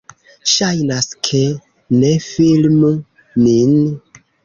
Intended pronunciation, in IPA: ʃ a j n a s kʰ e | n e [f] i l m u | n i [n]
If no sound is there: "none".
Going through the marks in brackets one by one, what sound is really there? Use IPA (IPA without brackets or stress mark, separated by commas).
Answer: f, n